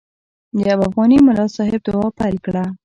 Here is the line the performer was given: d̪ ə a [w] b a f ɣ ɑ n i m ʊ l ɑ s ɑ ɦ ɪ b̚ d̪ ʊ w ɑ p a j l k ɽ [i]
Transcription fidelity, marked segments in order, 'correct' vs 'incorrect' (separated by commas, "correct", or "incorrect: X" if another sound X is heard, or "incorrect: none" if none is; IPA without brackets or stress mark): incorrect: none, incorrect: a